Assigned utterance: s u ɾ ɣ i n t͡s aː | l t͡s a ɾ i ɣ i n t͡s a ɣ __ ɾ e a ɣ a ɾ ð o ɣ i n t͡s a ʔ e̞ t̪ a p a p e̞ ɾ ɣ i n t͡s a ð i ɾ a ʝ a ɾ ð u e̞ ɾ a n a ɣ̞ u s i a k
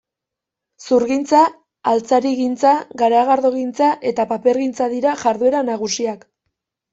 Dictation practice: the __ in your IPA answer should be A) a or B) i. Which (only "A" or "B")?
A